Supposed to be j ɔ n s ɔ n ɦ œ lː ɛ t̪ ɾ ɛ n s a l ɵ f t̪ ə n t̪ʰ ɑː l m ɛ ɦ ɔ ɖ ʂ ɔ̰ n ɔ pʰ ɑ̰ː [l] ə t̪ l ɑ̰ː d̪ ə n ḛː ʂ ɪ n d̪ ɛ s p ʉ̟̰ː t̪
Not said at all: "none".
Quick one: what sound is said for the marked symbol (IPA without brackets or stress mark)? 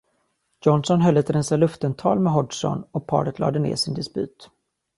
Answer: ɾ